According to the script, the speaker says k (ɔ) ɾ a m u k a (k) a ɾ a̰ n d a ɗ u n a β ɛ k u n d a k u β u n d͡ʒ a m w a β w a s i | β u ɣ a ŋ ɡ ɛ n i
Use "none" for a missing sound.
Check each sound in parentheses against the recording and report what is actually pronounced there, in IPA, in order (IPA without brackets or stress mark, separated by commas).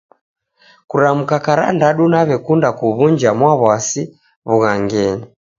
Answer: u, k